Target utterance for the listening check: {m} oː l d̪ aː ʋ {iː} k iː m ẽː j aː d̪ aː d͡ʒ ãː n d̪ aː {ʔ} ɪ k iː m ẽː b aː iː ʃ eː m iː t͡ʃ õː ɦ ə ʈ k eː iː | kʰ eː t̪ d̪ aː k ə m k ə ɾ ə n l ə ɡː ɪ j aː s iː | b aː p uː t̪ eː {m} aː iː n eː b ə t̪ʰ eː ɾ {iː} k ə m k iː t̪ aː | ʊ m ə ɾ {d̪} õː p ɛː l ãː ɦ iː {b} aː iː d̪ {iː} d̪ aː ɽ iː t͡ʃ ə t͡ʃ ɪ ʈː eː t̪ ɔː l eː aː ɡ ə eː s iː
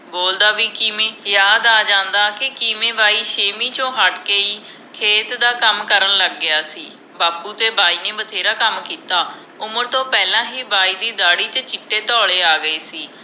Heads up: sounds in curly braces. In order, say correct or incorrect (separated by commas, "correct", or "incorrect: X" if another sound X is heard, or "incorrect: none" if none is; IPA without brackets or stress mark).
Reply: incorrect: b, correct, incorrect: k, incorrect: b, incorrect: aː, incorrect: t̪, correct, correct